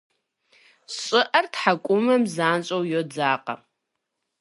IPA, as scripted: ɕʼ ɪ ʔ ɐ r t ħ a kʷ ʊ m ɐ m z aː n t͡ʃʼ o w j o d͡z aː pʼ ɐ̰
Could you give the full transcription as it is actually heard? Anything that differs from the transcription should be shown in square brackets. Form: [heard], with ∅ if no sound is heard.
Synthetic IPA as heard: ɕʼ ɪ ʔ ɐ r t ħ a [kʷʼ] ʊ m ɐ m z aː n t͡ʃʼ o w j o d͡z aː [qʼ] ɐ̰